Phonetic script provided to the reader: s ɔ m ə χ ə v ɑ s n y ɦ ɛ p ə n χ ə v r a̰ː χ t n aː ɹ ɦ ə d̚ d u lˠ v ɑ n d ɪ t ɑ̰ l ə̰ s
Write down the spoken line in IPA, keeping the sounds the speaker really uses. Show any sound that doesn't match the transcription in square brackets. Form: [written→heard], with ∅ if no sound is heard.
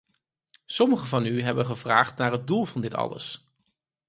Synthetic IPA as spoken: s ɔ m ə χ ə v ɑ [s→∅] n y ɦ ɛ [p→b] ə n χ ə v r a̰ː χ t n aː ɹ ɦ ə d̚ d u lˠ v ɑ n d ɪ t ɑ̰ l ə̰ s

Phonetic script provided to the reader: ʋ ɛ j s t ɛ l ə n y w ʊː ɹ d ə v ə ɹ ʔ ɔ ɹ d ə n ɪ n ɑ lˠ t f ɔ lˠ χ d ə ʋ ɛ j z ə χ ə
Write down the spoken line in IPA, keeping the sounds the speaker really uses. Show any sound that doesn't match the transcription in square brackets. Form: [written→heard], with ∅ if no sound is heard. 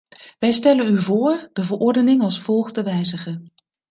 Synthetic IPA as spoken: ʋ ɛ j s t ɛ l ə n y [w→v] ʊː ɹ d ə v ə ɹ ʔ ɔ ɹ d ə n ɪ [n→ŋ] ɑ lˠ [t→s] f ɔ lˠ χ d ə ʋ ɛ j z ə χ ə

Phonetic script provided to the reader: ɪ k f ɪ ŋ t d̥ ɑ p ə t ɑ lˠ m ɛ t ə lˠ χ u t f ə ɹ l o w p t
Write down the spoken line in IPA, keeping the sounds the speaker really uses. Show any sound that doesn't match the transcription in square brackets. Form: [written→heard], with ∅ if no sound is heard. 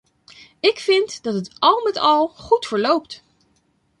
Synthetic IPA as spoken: ɪ k f ɪ [ŋ→n] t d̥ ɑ [p→t] ə t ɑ lˠ m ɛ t [ə→ɑ] lˠ χ u t f ə ɹ l o w p t

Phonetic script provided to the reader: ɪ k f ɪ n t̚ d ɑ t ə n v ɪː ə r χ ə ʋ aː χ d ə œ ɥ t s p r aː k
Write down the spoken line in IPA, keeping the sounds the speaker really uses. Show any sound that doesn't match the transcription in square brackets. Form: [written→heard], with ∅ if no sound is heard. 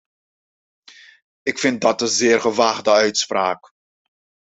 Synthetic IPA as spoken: ɪ k f ɪ n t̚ d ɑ t ə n [v→z] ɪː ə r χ ə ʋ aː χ d ə œ ɥ t s p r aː k

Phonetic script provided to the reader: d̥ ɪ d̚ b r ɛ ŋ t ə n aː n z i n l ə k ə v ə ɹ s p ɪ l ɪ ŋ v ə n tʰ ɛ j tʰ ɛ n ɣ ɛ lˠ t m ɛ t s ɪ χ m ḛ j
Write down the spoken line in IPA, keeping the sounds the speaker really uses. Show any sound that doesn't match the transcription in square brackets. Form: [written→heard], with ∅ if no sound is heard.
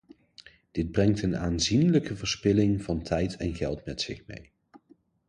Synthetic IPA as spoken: d̥ ɪ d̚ b r ɛ ŋ t ə n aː n z i n l ə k ə v ə ɹ s p ɪ l ɪ ŋ v [ə→ɑ] n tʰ ɛ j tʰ ɛ n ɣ ɛ lˠ t m ɛ t s ɪ χ m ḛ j

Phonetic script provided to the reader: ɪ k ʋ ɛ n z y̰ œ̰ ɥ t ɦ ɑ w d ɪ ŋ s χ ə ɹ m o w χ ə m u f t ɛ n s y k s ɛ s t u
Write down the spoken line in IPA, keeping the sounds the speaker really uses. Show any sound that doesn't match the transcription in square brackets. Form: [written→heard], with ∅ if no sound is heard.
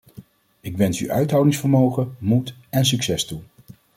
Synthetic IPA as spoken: ɪ k ʋ ɛ n [z→s] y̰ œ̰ ɥ t ɦ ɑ w d ɪ ŋ s [χ→f] ə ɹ m o w χ ə m u [f→∅] t ɛ n s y k s ɛ s t u

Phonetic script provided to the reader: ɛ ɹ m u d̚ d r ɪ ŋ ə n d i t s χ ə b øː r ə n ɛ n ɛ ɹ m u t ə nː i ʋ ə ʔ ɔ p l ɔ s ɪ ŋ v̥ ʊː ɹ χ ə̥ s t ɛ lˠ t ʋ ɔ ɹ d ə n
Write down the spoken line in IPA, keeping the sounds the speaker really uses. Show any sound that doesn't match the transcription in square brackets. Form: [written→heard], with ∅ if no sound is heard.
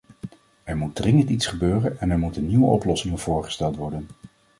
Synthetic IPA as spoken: ɛ ɹ m u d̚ d r ɪ ŋ ə n [d→t] i t s χ ə b øː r ə n ɛ n ɛ ɹ m u t ə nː i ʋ ə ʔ ɔ p l ɔ s ɪ ŋ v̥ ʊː ɹ χ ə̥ s t ɛ lˠ t ʋ ɔ ɹ d ə n

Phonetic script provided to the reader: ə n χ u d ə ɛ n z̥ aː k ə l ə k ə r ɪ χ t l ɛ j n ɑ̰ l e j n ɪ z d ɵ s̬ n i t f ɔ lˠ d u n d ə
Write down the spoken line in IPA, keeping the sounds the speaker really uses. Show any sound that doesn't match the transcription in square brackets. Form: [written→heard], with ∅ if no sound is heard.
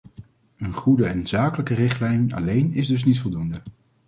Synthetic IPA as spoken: ə n χ u d ə ɛ n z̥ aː k ə l ə k ə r ɪ χ t l ɛ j n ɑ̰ l e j n ɪ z d ɵ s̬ n i t f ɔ lˠ d u n d ə

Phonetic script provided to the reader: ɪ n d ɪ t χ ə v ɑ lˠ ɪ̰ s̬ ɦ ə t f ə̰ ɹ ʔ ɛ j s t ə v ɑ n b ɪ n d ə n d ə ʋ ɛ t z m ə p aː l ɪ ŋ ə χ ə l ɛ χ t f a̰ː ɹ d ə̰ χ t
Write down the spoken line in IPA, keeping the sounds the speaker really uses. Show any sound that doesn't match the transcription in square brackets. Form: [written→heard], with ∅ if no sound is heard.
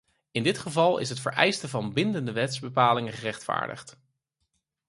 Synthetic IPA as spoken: ɪ n d ɪ t χ ə v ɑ lˠ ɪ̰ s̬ ɦ ə t f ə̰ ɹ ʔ ɛ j s t ə v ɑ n b ɪ n d ə n d ə ʋ ɛ t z [m→b] ə p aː l ɪ ŋ ə χ ə [l→r] ɛ χ t f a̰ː ɹ d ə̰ χ t

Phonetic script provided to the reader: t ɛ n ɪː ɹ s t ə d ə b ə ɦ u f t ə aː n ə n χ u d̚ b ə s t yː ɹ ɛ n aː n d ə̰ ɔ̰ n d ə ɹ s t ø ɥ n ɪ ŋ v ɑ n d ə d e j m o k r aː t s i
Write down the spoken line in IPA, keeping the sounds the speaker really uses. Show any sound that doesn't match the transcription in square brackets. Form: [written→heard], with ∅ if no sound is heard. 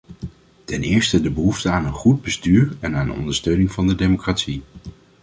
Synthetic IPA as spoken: t ɛ n ɪː ɹ s t ə d ə b ə ɦ u f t ə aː n ə n χ u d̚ b ə s t yː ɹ ɛ n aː n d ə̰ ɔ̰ n d ə ɹ s t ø ɥ n ɪ ŋ v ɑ n d ə d e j m o k r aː t s i

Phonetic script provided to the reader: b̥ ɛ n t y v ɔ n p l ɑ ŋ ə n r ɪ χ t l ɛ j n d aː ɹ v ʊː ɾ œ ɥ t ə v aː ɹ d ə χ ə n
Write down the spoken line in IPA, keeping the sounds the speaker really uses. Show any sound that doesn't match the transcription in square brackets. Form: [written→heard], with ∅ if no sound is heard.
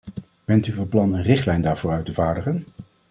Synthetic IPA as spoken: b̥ ɛ n t y v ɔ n p l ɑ [ŋ→n] ə n r ɪ χ t l ɛ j n d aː ɹ v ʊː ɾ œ ɥ t ə v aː ɹ d ə χ ə n

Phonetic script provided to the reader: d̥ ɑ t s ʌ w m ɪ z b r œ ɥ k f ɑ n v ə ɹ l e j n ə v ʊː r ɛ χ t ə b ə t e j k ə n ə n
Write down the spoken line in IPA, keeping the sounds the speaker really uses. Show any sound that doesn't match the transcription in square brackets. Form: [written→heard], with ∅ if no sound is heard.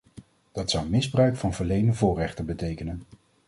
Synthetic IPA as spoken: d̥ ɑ t s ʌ w m ɪ z b r œ ɥ k f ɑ n v ə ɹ l e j n ə v ʊː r ɛ χ t ə b ə t e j k ə n ə n

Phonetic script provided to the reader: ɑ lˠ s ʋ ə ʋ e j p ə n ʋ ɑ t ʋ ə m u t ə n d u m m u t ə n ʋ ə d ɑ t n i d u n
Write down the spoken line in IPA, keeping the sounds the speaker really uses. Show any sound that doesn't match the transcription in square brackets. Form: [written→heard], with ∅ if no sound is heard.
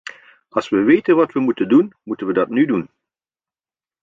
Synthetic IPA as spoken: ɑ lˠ s ʋ ə ʋ e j [p→t] ə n ʋ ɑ t ʋ ə m u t ə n d u [m→n] m u t ə n ʋ ə d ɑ t n [i→y] d u n

